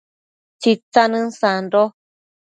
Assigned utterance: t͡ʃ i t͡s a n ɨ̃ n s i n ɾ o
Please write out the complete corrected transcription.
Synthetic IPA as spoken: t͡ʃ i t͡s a n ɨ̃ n s a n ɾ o